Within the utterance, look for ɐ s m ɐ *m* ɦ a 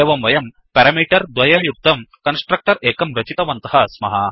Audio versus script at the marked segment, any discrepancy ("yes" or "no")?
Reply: yes